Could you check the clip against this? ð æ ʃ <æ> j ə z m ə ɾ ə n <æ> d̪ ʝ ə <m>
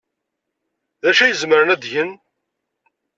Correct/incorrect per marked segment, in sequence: correct, correct, incorrect

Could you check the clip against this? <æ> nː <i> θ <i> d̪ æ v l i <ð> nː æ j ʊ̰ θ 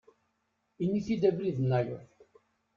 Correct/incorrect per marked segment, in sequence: incorrect, correct, correct, correct

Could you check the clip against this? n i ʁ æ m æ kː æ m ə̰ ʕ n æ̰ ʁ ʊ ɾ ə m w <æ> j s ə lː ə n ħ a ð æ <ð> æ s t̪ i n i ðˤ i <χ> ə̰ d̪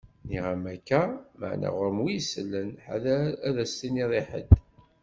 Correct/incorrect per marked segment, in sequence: incorrect, correct, incorrect

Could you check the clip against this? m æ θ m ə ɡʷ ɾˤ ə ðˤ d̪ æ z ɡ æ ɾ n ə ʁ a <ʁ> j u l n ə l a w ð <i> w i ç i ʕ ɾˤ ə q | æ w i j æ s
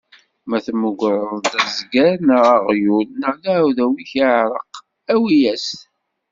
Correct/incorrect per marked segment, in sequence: correct, incorrect

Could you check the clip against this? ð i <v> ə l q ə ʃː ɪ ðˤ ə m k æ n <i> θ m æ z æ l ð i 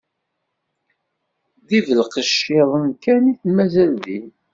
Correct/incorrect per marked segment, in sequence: correct, correct

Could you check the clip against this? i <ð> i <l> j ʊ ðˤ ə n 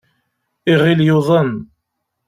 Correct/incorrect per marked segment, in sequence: incorrect, correct

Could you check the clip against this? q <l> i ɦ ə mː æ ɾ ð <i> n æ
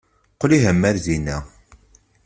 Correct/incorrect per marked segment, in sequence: correct, correct

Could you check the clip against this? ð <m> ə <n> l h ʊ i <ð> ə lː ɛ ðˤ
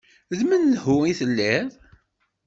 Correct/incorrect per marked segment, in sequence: correct, correct, incorrect

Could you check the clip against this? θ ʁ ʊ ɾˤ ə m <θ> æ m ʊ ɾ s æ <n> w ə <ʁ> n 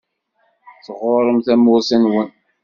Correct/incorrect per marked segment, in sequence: correct, correct, incorrect

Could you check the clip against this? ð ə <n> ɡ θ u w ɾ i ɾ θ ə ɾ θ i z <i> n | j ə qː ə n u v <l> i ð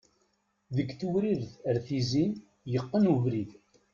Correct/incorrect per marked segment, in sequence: incorrect, correct, incorrect

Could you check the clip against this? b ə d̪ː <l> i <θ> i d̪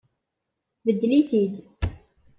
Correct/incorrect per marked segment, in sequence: correct, correct

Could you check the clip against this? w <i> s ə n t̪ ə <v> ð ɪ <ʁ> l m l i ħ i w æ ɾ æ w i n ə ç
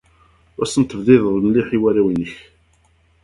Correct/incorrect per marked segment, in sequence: incorrect, correct, incorrect

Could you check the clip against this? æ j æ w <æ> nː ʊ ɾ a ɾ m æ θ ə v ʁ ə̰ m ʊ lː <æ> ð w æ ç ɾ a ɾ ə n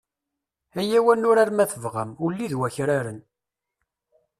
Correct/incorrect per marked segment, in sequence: correct, incorrect

